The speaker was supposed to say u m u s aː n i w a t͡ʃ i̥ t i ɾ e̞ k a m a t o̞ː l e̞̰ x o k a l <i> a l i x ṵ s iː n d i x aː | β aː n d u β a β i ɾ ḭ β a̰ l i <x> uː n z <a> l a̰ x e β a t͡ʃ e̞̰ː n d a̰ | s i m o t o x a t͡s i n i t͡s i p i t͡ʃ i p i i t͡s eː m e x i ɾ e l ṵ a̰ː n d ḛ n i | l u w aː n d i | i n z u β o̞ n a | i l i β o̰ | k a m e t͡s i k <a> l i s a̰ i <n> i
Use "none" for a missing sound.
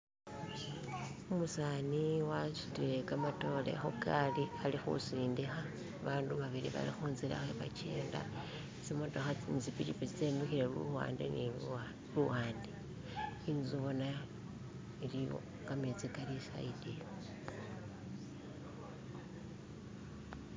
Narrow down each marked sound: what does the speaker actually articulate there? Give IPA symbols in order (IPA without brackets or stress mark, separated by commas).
i, x, i, a, d